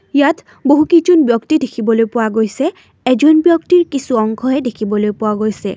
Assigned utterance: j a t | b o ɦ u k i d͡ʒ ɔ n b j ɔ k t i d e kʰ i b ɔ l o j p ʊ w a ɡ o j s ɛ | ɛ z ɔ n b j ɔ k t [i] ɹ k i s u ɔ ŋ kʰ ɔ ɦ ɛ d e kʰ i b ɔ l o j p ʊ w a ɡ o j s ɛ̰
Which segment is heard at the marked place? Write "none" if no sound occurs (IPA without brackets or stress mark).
i